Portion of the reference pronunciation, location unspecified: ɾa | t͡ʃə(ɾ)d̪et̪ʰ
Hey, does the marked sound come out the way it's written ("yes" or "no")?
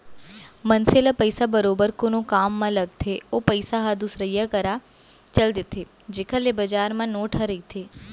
no